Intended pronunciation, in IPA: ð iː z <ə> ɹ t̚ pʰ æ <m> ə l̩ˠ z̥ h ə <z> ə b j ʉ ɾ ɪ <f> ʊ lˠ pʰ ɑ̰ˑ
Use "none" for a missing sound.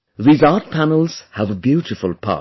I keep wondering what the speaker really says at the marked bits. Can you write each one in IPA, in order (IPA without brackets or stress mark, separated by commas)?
ɑ, n, v, f